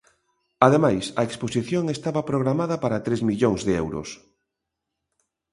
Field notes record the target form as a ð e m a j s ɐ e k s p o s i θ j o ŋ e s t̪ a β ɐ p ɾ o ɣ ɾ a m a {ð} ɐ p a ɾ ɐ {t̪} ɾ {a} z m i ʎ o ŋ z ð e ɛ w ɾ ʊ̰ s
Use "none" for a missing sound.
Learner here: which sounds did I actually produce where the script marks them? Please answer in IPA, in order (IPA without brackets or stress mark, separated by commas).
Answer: ð, t̪, e